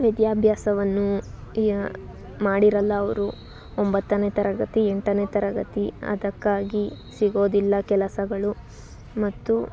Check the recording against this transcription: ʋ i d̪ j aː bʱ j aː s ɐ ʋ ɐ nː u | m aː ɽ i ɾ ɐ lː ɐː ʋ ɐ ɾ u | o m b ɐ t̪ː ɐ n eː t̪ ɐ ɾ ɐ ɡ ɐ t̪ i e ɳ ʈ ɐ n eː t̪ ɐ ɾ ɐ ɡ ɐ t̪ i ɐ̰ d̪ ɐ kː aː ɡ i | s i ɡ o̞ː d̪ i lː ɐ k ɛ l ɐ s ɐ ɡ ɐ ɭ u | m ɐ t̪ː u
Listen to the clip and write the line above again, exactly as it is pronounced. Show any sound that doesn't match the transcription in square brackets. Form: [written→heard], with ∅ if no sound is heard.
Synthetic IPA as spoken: ʋ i d̪ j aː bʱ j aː s ɐ ʋ ɐ nː u | m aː ɽ i ɾ ɐ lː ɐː ʋ ɐ ɾ u | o m b ɐ t̪ː ɐ n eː t̪ ɐ ɾ ɐ ɡ ɐ t̪ i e ɳ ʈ ɐ n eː t̪ ɐ ɾ ɐ ɡ ɐ t̪ i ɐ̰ d̪ ɐ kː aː ɡ i | s i ɡ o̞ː d̪ i lː ɐ k ɛ l ɐ s ɐ ɡ ɐ ɭ u | m ɐ t̪ː u